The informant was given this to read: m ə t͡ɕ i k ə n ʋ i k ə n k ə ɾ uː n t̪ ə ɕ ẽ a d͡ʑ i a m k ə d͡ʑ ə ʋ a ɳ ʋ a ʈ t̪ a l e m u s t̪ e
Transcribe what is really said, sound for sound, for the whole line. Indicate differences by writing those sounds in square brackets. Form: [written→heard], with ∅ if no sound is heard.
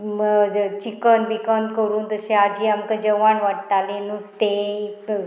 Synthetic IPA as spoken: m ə t͡ɕ i k ə n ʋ i k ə n k ə ɾ uː n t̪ ə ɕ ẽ a d͡ʑ i a m k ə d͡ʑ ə ʋ a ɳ ʋ a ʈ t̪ a l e [m→n] u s t̪ e